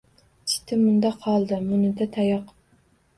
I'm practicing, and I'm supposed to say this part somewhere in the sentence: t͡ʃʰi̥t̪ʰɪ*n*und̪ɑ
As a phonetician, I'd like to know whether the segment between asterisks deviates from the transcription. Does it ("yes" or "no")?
yes